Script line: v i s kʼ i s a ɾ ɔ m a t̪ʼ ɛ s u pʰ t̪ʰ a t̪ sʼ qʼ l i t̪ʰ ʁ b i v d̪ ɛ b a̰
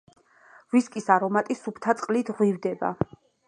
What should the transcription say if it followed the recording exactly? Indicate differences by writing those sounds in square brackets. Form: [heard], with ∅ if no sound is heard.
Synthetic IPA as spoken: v i s kʼ i s a ɾ ɔ m a t̪ʼ [i] s u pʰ t̪ʰ a t̪ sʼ qʼ l i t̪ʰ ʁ [w] i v d̪ ɛ b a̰